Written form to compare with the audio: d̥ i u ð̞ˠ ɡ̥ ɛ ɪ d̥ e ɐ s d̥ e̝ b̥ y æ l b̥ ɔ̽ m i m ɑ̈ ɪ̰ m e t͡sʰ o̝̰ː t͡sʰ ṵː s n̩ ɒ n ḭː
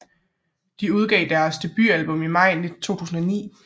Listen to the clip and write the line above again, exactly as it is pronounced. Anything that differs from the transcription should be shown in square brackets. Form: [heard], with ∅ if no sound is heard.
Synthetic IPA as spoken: d̥ i u ð̞ˠ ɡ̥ ɛ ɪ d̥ [æ] ɐ s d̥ e̝ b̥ y æ l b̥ ɔ̽ m i m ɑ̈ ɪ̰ [n] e t͡sʰ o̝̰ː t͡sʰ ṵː s n̩ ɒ n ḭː